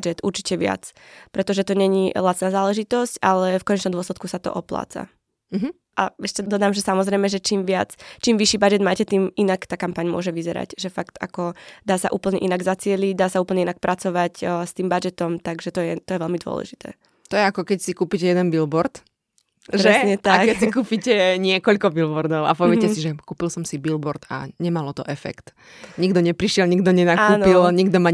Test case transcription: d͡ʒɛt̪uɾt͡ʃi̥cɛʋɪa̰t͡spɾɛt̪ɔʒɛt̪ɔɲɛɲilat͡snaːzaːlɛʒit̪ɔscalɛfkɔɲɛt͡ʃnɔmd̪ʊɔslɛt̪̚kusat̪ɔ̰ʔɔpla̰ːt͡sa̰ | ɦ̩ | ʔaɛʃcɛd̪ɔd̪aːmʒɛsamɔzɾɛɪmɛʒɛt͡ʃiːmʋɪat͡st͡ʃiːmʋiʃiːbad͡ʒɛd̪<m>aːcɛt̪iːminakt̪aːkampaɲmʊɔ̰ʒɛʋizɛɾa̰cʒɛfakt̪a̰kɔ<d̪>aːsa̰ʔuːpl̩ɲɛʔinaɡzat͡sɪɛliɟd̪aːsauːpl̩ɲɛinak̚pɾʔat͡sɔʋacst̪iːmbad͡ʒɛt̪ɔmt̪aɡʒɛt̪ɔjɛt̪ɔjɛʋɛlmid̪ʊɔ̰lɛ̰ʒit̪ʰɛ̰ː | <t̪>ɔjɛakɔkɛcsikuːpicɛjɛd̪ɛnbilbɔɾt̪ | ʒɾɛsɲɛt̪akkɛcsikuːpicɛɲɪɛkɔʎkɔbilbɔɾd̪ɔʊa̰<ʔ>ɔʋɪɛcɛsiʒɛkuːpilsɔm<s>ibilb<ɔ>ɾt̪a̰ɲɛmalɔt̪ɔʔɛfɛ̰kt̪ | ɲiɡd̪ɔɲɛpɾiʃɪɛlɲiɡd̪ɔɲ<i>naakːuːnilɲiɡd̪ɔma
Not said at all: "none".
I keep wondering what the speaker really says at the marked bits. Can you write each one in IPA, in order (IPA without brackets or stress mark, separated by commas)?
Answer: m, d̪, t̪, p, s, ɔ, ɛ